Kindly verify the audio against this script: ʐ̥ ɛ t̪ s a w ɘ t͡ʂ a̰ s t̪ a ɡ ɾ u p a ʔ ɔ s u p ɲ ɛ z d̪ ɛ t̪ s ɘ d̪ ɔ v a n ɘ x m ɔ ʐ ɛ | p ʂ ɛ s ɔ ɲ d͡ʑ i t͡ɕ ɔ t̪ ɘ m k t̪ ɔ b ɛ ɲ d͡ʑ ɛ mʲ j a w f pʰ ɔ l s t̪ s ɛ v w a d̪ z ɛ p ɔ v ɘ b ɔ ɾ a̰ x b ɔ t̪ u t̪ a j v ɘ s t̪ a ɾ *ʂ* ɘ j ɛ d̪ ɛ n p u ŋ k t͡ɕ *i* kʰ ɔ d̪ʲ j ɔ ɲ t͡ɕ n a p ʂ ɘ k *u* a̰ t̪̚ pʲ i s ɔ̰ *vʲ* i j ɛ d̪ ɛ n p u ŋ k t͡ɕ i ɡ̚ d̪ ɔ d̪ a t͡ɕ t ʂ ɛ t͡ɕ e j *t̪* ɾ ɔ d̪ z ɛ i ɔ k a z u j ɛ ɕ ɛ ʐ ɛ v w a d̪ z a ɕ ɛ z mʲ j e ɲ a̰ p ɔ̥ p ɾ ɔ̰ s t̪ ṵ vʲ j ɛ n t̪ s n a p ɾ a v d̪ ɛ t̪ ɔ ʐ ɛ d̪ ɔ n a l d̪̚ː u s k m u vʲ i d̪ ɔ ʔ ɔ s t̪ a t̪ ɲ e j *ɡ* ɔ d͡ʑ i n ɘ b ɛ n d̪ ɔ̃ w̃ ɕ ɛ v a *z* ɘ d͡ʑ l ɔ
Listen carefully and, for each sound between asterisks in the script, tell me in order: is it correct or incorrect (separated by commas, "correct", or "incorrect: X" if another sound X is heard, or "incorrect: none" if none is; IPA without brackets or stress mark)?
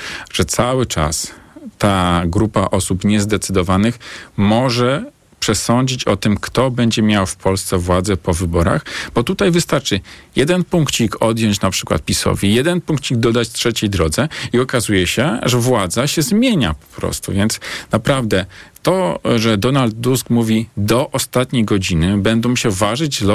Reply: incorrect: t͡ʂ, correct, incorrect: w, correct, incorrect: d̪, correct, incorrect: ʐ